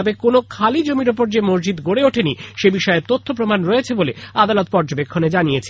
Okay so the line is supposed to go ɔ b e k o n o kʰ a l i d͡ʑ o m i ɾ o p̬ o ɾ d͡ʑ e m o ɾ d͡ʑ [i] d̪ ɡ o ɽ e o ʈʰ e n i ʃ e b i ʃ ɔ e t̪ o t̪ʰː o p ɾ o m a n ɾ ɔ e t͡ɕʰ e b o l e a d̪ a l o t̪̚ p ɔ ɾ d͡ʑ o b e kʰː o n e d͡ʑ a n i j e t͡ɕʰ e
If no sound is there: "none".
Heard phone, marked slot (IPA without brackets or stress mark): i